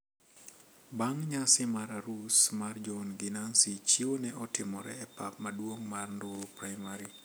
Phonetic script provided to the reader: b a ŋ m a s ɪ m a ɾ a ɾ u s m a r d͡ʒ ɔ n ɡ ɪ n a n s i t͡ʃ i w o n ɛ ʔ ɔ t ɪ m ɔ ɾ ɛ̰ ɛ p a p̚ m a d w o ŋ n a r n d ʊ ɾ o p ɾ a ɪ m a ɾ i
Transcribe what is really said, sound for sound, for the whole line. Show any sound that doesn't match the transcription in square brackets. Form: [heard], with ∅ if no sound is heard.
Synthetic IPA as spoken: b a ŋ [ɲ] a s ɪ m a ɾ a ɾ u s m a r d͡ʒ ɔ n ɡ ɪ n a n s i t͡ʃ i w o n ɛ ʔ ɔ t ɪ m ɔ ɾ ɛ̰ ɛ p a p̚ m a d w o ŋ [m] a r n d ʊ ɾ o p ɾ a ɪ m a ɾ i